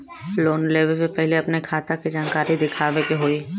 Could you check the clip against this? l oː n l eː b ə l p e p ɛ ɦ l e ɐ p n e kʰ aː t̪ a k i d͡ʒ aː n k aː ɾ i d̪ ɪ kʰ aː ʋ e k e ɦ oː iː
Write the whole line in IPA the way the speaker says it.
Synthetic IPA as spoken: l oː n l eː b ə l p e p ɛ ɦ l e ɐ p n e kʰ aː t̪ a k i d͡ʒ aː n k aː ɾ i d̪ ɪ kʰ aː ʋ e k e ɦ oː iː